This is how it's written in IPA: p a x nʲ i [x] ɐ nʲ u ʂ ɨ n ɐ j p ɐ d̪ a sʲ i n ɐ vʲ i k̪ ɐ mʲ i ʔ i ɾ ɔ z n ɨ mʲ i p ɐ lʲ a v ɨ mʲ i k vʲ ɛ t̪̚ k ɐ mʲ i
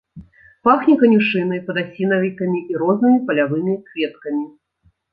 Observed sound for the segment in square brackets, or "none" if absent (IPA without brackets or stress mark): k